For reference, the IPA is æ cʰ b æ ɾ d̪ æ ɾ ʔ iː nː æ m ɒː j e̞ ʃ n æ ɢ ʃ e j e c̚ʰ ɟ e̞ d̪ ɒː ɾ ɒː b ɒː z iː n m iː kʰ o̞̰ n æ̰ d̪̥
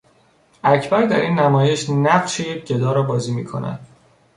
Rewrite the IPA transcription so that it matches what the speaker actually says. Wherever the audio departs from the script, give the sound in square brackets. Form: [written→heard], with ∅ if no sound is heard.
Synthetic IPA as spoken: æ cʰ b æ ɾ d̪ æ ɾ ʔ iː nː æ m ɒː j e̞ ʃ n æ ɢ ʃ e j e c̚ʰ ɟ e̞ d̪ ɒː ɾ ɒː b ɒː z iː [n→∅] m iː kʰ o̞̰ n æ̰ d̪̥